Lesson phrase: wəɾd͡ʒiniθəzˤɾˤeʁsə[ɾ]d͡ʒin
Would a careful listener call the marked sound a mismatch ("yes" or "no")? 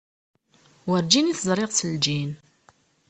yes